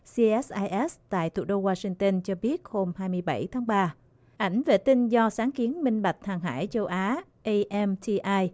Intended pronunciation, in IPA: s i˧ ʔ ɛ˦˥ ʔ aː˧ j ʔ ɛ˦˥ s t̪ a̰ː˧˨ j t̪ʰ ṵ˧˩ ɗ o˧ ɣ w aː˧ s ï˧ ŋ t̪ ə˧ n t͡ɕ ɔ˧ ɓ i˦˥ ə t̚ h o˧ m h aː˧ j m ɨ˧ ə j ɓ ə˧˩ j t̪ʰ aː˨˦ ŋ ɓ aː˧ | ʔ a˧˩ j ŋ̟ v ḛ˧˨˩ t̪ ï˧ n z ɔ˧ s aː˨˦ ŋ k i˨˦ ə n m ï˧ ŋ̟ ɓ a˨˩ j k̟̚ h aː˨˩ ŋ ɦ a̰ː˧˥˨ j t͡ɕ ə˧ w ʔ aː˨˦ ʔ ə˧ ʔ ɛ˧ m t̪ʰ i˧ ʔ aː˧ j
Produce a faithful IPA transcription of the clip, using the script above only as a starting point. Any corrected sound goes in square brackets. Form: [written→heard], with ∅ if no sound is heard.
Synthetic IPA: s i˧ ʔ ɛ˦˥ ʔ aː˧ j ʔ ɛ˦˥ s t̪ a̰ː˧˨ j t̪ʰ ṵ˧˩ ɗ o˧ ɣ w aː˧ s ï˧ ŋ t̪ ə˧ n t͡ɕ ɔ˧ ɓ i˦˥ ə t̚ h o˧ m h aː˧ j m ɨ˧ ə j ɓ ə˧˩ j t̪ʰ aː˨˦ ŋ ɓ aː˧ | ʔ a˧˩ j ŋ̟ v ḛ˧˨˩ t̪ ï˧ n z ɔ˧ s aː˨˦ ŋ k i˨˦ ə n m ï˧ ŋ̟ ɓ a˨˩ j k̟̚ h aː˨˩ ŋ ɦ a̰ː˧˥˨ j t͡ɕ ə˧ w ʔ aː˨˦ ʔ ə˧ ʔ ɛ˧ m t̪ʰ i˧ ʔ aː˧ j

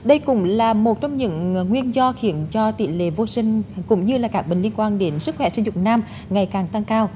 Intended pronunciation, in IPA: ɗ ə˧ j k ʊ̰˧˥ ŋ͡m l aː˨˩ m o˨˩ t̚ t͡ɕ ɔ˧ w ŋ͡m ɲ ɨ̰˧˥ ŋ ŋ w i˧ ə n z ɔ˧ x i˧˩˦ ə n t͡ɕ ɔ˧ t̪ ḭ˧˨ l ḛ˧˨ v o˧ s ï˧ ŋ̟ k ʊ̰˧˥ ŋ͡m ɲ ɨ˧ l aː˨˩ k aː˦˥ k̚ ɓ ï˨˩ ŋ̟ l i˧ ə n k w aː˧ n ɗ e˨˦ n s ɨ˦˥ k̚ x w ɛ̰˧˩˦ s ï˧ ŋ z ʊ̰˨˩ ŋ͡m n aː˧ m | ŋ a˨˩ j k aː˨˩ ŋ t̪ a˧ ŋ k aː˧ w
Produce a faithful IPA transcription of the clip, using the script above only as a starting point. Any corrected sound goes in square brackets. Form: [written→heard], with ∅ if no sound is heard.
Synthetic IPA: ɗ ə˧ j k ʊ̰˧˥ ŋ͡m l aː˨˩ m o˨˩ t̚ t͡ɕ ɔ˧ w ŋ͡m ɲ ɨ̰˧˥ ŋ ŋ w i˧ ə n z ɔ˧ x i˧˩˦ ə n t͡ɕ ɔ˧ t̪ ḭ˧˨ l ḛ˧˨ v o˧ s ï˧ ŋ̟ k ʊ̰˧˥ ŋ͡m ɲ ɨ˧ l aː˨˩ k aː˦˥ k̚ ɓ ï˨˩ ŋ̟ l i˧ ə n k w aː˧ n ɗ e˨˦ n s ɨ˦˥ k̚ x w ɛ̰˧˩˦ s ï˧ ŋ z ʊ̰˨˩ ŋ͡m n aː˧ m | ŋ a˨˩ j k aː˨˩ ŋ t̪ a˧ ŋ k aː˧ w

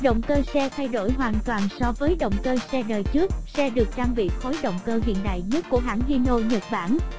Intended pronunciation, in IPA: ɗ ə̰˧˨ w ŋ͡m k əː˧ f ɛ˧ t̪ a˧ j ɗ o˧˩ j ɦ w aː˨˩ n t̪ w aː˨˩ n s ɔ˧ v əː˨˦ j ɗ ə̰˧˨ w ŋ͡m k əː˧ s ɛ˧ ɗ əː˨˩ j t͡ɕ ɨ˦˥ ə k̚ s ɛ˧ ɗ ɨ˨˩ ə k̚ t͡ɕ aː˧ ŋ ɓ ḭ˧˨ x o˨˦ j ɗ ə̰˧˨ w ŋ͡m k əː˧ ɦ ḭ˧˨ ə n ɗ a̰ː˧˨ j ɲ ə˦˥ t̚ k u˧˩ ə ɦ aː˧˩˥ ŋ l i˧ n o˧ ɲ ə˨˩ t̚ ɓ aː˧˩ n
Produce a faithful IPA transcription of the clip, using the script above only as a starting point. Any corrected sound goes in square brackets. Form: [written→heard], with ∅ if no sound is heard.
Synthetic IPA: ɗ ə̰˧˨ w ŋ͡m k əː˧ [f→s] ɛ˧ [t̪→t̪ʰ] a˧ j ɗ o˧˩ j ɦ w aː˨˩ n t̪ w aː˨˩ n s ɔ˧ v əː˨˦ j ɗ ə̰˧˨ w ŋ͡m k əː˧ s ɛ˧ ɗ əː˨˩ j t͡ɕ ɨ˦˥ ə k̚ s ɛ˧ ɗ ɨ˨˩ ə k̚ t͡ɕ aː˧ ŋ ɓ ḭ˧˨ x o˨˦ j ɗ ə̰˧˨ w ŋ͡m k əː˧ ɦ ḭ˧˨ ə n ɗ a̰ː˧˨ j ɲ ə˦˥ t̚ k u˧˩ ə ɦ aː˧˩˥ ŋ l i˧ n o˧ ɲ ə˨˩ t̚ ɓ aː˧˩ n

